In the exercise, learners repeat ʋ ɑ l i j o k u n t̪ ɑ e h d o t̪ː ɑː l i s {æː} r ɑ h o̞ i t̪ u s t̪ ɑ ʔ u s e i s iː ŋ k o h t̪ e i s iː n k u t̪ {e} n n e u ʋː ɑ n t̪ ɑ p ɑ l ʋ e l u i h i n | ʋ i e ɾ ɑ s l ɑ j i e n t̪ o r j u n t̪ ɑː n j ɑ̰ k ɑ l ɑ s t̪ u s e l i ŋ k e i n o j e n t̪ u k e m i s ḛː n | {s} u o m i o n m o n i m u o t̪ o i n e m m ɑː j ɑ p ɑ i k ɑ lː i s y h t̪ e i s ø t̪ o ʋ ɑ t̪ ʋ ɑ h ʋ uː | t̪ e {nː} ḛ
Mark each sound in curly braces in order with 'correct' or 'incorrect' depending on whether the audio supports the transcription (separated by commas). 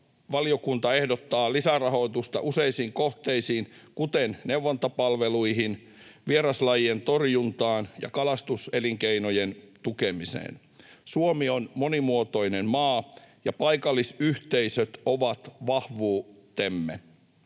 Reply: incorrect, correct, correct, incorrect